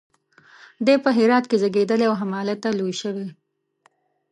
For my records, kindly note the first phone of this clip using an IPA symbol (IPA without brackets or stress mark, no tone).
d̪